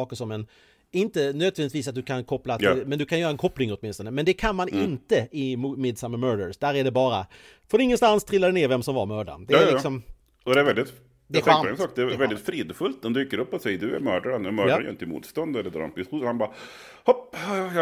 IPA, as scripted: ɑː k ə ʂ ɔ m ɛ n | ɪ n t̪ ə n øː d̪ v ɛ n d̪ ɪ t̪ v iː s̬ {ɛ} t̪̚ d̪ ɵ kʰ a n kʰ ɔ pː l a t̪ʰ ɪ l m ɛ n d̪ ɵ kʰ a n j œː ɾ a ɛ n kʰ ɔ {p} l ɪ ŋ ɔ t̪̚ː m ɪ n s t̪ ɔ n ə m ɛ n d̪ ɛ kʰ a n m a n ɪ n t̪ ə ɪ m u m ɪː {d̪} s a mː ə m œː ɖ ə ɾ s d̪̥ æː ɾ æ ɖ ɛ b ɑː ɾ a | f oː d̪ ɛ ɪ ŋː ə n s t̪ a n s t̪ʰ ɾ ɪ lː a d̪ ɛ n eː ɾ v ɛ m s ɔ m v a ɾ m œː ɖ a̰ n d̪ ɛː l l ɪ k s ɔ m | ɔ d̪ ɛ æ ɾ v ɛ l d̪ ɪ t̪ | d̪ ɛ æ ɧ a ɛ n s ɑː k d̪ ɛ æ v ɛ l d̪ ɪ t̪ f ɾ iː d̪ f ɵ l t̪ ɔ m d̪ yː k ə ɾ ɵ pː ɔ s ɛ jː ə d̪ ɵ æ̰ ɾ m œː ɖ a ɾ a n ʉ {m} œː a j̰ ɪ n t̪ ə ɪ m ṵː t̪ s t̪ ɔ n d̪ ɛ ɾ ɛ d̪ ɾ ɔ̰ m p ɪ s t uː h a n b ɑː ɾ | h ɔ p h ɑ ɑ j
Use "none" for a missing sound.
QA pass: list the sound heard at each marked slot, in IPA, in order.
a, p, d̪, m

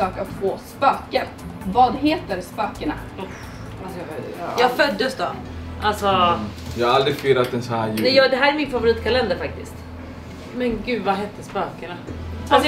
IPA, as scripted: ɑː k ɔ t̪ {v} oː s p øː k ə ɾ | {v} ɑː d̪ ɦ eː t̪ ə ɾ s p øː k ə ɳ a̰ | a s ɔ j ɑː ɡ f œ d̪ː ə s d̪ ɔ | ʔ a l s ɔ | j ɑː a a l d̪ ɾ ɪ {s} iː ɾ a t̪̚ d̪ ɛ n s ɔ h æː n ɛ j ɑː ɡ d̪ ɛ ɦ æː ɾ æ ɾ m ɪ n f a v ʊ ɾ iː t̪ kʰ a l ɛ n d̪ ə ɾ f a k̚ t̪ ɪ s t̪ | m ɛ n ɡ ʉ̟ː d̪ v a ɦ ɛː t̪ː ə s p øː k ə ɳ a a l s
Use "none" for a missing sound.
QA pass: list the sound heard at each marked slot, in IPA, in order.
f, v, f

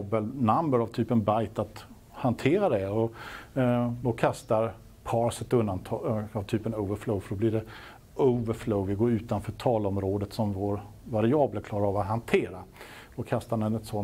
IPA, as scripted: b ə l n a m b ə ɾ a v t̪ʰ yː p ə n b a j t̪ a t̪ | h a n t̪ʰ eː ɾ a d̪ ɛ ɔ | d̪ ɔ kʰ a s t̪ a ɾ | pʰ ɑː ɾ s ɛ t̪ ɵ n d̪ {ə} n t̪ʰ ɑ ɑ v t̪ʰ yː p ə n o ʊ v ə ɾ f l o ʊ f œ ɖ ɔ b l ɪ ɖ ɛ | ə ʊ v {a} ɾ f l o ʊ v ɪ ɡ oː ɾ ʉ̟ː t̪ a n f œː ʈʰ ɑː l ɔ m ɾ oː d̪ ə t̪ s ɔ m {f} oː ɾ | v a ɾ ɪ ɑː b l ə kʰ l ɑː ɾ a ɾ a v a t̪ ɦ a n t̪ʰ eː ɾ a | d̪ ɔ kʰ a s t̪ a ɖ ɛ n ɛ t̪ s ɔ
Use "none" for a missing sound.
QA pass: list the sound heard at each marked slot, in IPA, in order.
a, ə, v

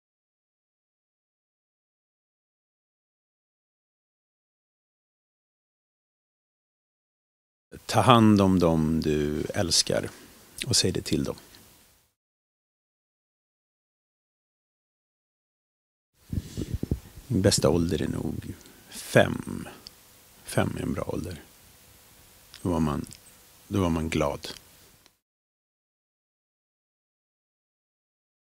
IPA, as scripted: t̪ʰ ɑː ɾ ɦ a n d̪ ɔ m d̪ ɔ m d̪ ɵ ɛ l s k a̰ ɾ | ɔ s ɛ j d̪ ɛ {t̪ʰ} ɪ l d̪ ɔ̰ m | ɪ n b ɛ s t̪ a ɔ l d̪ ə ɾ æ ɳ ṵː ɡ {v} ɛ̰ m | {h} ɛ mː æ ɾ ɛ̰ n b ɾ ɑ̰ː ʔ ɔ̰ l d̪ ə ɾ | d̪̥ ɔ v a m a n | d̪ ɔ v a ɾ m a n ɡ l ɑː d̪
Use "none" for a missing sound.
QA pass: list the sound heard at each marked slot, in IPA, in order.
t̪ʰ, f, f

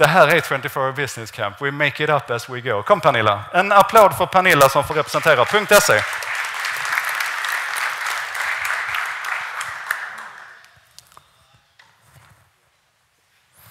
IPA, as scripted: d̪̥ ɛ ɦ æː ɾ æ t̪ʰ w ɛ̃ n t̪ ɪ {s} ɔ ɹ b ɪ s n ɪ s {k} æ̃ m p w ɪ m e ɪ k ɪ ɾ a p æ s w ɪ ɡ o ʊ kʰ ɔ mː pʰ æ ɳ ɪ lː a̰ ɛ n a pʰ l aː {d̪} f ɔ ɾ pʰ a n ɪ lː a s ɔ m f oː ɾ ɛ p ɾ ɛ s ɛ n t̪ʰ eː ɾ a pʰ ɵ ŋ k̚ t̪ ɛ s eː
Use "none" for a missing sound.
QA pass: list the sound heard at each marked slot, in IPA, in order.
f, kʰ, d̪

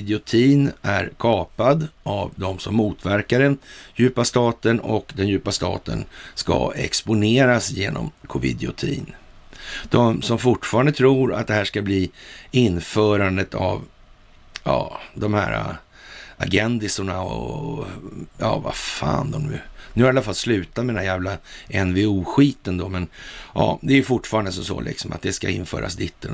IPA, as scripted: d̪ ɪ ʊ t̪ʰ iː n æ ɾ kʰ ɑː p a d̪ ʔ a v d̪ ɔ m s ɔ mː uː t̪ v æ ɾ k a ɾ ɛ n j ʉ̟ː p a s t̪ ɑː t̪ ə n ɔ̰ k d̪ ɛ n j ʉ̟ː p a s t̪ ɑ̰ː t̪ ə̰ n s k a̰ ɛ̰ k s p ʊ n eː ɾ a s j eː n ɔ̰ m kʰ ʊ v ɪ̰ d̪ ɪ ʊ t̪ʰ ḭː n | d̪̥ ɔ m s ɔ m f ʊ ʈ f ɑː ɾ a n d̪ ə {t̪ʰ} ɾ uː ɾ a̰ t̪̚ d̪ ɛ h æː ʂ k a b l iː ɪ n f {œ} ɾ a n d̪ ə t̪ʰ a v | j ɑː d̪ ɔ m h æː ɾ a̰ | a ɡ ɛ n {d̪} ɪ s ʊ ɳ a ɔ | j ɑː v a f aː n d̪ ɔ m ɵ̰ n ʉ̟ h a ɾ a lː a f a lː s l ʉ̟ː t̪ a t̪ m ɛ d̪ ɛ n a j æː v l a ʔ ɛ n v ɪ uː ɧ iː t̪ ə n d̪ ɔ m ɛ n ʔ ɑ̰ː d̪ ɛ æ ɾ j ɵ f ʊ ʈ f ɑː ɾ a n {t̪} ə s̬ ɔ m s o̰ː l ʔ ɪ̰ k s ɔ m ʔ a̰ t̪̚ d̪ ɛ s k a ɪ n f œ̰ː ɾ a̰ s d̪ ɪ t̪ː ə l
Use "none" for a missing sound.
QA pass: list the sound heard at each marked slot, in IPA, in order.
t̪ʰ, œː, d̪, d̪

